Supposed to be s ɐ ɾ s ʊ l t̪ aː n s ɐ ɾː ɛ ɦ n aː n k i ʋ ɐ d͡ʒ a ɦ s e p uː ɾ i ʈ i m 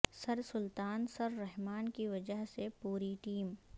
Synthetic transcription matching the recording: s ɐ ɾ s ʊ l t̪ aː n s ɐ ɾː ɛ ɦ m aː n k i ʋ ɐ d͡ʒ ə ɦ s e p uː ɾ i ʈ iː m